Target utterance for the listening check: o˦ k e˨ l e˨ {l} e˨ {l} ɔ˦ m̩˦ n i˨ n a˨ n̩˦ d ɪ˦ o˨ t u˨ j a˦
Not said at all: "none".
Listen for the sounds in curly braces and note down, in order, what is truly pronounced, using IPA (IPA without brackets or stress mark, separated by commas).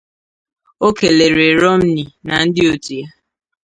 ɾ, ɾ